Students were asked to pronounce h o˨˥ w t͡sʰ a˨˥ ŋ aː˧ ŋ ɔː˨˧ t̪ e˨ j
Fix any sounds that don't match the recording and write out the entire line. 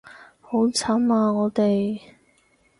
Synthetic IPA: h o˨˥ w t͡sʰ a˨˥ m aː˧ ŋ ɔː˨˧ t̪ e˨ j